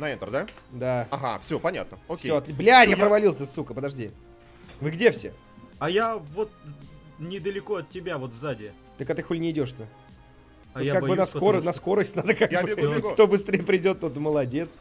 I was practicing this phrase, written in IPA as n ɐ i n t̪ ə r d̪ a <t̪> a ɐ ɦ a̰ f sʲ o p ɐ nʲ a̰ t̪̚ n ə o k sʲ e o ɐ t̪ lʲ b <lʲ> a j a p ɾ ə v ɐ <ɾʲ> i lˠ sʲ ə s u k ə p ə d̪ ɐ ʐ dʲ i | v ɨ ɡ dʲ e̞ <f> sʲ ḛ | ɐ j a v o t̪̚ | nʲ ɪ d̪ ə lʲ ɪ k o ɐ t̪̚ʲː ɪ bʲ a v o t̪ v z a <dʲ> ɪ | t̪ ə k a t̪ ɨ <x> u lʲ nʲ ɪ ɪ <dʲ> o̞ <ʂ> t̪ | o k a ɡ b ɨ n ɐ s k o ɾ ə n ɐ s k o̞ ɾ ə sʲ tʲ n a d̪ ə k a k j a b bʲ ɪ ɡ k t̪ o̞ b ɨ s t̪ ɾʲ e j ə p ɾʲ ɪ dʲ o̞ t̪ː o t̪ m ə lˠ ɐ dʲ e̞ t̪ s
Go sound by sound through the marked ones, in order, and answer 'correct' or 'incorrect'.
incorrect: d̪, correct, incorrect: lʲ, correct, correct, correct, correct, correct

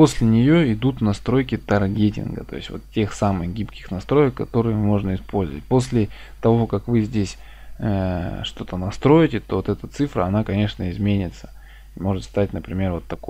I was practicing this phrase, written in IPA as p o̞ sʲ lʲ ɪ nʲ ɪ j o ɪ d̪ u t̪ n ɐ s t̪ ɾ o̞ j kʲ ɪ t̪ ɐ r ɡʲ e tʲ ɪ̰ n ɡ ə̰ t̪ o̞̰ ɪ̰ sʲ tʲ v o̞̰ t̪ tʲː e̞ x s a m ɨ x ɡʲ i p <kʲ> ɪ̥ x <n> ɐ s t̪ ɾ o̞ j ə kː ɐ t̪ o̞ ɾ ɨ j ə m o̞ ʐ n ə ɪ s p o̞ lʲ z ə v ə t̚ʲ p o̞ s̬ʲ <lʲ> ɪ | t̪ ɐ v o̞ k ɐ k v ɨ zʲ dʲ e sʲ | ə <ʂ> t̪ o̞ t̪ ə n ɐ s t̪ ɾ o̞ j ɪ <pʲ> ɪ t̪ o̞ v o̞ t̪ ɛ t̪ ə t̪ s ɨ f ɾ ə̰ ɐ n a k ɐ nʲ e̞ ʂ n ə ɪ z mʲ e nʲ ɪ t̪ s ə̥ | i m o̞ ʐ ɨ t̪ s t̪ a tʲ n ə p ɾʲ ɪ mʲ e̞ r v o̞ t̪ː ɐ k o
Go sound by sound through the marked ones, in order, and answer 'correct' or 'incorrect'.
correct, correct, correct, correct, incorrect: tʲ

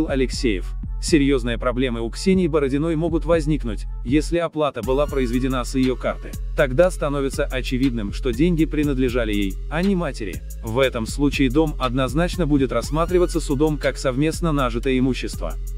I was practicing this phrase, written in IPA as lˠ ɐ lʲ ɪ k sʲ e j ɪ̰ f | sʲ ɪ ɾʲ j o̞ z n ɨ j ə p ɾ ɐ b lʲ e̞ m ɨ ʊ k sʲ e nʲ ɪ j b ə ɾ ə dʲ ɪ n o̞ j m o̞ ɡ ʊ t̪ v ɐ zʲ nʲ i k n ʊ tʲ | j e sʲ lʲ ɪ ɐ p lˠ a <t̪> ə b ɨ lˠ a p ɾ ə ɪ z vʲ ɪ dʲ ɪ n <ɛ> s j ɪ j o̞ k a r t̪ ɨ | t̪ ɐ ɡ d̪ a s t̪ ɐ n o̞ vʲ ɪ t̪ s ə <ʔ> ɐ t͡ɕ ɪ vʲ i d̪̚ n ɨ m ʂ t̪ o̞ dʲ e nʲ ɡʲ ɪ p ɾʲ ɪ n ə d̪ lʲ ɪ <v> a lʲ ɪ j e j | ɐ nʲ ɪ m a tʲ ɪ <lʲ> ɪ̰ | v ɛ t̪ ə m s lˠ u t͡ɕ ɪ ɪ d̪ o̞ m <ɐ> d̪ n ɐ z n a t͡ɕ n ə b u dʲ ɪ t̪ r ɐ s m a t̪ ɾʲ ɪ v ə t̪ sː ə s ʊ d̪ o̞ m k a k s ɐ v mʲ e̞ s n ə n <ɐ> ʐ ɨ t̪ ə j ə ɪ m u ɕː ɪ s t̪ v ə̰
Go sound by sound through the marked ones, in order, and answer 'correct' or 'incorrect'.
correct, incorrect: a, correct, incorrect: ʐ, incorrect: ɾʲ, correct, incorrect: a

